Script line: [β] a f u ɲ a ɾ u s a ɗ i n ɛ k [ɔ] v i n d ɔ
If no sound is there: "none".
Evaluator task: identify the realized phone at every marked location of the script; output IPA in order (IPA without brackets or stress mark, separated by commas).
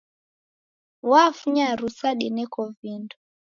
w, ɔ